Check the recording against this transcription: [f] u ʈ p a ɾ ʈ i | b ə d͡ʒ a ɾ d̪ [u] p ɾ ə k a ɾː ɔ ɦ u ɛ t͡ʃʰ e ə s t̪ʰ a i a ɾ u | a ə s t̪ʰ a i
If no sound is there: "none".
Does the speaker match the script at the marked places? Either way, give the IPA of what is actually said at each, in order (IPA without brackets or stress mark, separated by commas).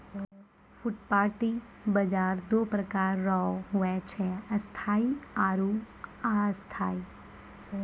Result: f, o